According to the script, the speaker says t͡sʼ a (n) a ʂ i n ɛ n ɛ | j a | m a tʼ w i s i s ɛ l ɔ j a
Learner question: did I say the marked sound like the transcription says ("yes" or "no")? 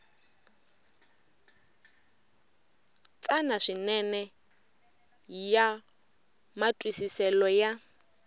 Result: yes